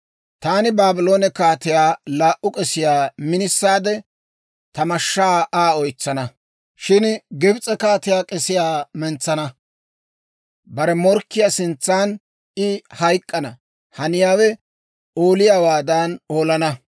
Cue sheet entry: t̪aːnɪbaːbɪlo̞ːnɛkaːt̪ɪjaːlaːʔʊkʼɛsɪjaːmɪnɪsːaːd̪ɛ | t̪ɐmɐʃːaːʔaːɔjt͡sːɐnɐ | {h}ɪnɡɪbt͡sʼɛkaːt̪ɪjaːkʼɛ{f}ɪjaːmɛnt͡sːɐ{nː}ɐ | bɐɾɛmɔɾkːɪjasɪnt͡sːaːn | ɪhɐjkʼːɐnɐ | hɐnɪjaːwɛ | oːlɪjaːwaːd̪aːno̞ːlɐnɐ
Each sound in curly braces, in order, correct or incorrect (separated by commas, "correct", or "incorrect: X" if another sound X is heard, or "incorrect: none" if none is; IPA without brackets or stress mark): incorrect: ʃ, incorrect: s, incorrect: n